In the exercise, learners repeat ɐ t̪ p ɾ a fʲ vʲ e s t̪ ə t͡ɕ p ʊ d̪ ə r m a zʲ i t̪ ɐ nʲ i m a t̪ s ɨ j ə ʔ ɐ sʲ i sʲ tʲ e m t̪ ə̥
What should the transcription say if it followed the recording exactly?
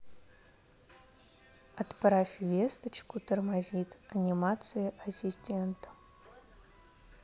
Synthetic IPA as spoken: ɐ t̪ p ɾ a fʲ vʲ e s t̪ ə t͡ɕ k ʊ t̪ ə r m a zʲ i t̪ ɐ nʲ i m a t̪ s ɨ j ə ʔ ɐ sʲ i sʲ tʲ e n t̪ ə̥